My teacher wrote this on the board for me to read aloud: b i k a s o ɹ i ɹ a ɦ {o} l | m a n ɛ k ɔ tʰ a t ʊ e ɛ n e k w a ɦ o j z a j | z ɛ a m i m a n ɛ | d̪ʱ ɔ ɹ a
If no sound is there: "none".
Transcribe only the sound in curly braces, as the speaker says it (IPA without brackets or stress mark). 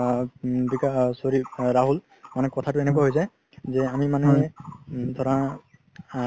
u